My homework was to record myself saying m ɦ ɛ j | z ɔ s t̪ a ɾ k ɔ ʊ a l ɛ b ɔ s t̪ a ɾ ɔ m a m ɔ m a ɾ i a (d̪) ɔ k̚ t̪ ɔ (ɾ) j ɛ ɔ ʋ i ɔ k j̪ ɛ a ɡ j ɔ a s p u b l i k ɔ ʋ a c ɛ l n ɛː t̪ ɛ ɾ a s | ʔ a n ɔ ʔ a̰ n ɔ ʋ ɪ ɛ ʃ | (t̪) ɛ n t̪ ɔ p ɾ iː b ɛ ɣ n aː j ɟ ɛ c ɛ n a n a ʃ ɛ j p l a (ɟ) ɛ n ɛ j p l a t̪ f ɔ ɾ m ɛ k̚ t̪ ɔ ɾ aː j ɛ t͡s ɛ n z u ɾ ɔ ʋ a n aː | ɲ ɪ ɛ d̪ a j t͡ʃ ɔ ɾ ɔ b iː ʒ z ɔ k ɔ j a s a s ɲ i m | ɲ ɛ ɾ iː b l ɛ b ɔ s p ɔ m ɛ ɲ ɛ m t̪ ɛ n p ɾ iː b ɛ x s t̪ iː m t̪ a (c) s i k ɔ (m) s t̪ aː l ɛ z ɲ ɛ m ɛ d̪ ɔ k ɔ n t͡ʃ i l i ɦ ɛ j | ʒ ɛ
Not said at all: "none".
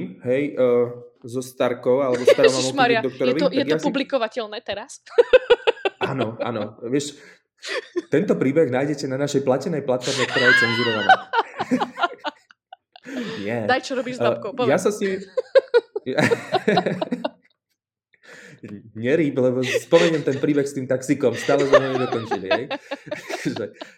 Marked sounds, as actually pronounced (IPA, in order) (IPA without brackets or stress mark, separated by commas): d̪, ɾ, t̪, c, k, m